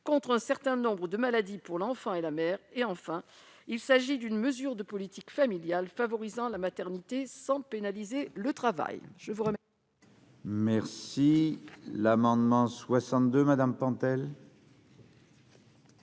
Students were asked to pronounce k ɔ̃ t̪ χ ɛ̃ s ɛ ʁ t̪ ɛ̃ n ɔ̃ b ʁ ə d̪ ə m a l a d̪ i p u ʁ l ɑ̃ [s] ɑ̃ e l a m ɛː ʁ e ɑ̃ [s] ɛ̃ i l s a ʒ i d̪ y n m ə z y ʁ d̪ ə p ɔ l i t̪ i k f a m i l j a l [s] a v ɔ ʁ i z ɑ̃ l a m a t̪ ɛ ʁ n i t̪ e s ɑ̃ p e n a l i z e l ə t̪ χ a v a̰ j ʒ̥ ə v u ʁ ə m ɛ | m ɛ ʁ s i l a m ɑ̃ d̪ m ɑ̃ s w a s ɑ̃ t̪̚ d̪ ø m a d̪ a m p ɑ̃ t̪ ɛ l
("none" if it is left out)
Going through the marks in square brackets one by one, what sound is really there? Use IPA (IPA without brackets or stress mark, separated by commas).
f, f, f